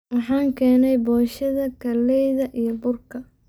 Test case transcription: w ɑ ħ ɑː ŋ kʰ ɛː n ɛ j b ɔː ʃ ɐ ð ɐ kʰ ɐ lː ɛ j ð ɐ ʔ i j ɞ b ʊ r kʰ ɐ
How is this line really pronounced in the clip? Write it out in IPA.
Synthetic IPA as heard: w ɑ ħ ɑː ŋ kʰ ɛː n ɛ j b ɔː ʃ ɐ ð ɐ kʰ ɐ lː ɛ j ð ɐ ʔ i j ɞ b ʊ r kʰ ɐ